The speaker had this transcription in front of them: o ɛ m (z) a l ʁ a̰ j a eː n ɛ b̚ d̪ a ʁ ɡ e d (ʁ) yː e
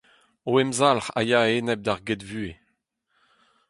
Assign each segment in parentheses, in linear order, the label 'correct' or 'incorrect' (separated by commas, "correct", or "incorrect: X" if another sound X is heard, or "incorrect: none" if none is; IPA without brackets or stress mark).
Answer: correct, incorrect: v